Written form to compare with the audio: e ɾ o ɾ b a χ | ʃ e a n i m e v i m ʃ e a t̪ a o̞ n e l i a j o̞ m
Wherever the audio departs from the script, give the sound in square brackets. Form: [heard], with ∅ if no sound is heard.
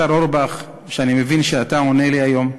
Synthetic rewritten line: [a] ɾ o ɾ b a χ | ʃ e a n i m e v i [n] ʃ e a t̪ a o̞ n e l i a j o̞ m